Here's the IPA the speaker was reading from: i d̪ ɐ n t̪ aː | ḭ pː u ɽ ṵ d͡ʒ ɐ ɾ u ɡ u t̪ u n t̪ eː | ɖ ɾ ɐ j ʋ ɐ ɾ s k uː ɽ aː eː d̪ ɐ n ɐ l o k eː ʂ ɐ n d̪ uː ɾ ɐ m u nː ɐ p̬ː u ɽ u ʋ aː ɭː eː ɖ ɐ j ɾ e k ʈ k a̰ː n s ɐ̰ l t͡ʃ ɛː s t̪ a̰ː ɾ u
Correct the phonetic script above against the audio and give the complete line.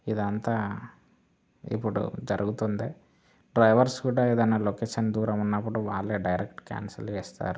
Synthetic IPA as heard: i d̪ ɐ n t̪ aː | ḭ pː u ɽ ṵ d͡ʒ ɐ ɾ u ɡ u t̪ u n d̪ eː | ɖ ɾ ɐ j ʋ ɐ ɾ s k uː ɽ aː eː d̪ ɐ n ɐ l o k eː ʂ ɐ n d̪ uː ɾ ɐ m u nː ɐ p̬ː u ɽ u ʋ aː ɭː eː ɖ ɐ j ɾ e k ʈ k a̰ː n s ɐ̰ l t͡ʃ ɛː s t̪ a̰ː ɾ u